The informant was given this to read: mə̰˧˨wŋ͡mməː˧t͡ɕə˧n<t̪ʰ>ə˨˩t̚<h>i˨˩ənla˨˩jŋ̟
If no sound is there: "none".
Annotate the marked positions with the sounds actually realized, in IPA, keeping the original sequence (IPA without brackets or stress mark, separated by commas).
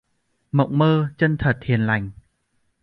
t̪ʰ, h